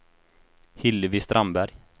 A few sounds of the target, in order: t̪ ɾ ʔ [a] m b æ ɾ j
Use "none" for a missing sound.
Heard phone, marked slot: a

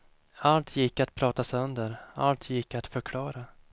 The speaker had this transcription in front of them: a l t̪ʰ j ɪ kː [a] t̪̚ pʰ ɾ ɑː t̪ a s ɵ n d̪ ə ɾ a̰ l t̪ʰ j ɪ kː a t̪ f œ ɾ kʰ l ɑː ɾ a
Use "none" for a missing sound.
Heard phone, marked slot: a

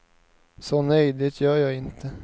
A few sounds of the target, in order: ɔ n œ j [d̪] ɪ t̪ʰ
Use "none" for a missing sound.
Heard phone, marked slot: d̪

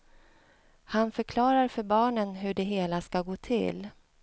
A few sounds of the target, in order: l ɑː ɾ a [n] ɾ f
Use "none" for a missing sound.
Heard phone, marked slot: none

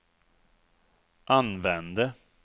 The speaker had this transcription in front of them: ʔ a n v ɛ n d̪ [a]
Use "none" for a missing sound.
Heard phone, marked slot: ə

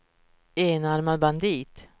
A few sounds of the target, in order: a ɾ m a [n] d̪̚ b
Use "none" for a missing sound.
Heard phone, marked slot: none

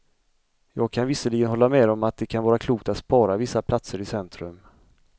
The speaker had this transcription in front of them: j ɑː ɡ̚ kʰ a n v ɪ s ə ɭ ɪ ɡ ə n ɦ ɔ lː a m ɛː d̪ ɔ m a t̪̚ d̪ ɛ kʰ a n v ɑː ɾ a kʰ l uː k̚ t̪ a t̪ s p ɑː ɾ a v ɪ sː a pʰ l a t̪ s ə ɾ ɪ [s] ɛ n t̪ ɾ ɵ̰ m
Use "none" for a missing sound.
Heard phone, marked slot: s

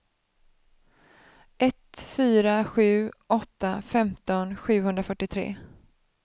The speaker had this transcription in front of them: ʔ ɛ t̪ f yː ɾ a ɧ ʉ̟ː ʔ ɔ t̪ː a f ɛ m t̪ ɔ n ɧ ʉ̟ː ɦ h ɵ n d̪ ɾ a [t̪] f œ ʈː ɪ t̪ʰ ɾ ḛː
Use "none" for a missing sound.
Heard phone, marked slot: none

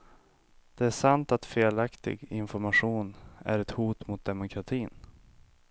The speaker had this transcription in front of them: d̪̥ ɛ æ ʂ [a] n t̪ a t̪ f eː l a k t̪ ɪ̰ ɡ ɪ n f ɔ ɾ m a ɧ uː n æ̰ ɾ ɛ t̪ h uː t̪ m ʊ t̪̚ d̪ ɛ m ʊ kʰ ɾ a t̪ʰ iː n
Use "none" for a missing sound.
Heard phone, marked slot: a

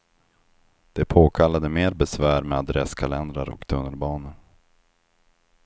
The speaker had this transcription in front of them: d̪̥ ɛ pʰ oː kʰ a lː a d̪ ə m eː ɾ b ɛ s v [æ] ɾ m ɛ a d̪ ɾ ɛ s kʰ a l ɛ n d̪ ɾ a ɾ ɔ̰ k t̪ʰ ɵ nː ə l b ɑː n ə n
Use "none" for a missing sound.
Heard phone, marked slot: æː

